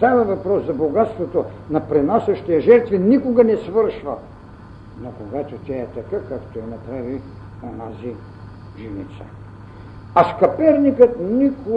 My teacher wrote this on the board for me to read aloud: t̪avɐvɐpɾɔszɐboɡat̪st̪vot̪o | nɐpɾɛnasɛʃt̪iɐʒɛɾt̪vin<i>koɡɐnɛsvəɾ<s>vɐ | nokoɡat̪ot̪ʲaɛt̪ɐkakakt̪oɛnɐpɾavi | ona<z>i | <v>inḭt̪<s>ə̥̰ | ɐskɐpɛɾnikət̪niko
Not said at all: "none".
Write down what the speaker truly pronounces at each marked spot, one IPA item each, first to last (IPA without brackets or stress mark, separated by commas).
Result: i, ʃ, z, ʒ, s